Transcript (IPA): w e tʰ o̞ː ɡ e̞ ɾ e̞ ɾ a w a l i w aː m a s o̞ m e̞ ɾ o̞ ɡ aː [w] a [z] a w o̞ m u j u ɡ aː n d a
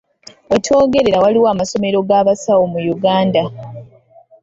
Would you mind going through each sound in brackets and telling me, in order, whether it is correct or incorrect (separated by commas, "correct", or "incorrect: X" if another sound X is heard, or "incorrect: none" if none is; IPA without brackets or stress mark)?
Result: incorrect: β, incorrect: s